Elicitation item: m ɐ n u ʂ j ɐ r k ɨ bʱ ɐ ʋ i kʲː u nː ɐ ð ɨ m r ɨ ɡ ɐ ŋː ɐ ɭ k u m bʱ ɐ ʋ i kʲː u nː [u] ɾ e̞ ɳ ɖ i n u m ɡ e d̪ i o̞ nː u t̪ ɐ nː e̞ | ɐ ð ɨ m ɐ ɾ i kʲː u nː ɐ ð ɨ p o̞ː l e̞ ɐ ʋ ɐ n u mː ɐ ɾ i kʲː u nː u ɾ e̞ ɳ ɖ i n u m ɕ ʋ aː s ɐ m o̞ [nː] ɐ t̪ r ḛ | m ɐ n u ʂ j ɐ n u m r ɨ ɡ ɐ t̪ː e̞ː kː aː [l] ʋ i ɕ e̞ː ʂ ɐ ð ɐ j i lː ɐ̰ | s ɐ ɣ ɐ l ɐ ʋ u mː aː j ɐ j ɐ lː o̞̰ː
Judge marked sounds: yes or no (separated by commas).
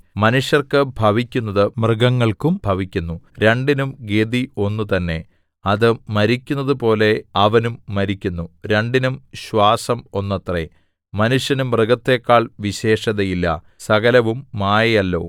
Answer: yes, yes, no